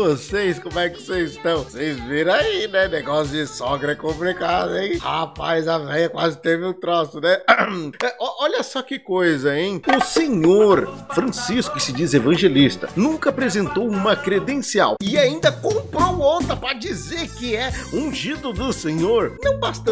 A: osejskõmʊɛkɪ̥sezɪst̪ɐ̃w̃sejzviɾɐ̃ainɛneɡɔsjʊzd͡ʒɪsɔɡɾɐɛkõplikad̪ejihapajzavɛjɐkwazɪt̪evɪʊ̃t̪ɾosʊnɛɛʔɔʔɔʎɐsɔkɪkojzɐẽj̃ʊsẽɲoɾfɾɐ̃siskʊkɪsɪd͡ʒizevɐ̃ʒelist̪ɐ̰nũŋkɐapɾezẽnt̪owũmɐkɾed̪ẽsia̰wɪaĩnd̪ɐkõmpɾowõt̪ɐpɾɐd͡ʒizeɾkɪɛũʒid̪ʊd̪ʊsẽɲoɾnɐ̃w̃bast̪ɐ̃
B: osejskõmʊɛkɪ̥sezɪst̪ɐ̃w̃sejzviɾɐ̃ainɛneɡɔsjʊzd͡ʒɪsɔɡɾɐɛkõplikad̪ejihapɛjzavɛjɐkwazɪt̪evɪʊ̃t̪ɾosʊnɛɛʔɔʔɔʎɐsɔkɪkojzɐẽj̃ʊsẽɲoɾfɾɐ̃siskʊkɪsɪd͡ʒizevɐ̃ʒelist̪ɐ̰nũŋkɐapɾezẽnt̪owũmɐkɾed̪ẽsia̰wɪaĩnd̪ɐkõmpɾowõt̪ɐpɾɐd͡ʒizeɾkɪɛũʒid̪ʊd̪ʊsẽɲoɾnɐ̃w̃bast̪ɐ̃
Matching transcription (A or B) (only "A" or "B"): A